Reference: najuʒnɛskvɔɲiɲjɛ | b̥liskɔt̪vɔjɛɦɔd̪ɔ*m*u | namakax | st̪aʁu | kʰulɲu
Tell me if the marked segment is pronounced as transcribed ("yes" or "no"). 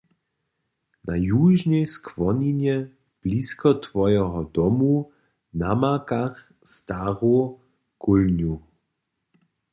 yes